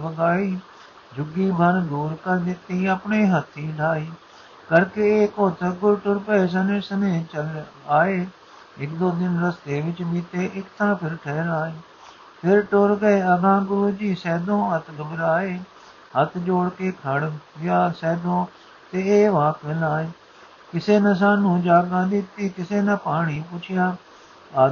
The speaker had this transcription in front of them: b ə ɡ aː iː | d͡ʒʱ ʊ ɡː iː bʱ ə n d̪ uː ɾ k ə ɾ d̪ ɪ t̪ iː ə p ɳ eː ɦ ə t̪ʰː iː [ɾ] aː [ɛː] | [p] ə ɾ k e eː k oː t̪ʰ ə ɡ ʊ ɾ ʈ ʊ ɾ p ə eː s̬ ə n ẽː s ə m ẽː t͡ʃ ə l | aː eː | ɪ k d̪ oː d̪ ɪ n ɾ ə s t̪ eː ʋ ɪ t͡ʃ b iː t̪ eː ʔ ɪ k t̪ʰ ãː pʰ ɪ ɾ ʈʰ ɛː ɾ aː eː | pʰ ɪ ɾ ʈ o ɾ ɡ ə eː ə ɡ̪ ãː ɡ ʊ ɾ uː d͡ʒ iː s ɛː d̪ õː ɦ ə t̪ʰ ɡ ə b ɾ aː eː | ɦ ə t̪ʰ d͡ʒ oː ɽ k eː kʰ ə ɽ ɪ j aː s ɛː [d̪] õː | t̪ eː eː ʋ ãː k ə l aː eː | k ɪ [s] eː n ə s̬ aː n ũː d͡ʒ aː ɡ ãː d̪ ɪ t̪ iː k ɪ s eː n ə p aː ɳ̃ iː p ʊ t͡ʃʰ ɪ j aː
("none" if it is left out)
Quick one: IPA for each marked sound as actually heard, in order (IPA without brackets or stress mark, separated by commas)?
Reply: l, iː, k, d̪, s